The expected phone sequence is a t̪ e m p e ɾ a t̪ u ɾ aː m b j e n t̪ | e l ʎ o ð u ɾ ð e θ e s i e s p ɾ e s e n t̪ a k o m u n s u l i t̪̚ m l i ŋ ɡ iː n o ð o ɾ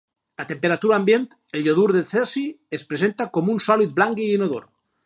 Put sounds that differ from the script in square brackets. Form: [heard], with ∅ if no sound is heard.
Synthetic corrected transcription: a t̪ e m p e ɾ a t̪ u ɾ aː m b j e n t̪ | e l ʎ o ð u ɾ ð e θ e s i e s p ɾ e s e n t̪ a k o m u n s [ɔ] l i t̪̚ [b] l [a] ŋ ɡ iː n o ð o ɾ